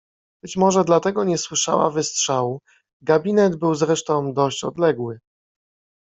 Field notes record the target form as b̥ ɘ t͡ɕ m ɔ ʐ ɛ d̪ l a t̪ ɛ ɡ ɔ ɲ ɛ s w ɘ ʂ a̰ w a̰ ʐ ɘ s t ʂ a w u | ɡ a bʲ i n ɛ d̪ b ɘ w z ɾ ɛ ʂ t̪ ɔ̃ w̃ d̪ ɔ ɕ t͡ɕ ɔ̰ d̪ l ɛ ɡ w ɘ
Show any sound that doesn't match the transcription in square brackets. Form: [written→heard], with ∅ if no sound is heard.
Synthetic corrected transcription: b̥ ɘ t͡ɕ m ɔ ʐ ɛ d̪ l a t̪ ɛ ɡ ɔ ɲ ɛ s w ɘ ʂ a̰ w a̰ [ʐ→v] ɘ s t ʂ a w u | ɡ a bʲ i n ɛ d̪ b ɘ w z ɾ ɛ ʂ t̪ ɔ̃ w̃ d̪ ɔ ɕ t͡ɕ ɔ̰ d̪ l ɛ ɡ w ɘ